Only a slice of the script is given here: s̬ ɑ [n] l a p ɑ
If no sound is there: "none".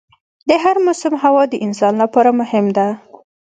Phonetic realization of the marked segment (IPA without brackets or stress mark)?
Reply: n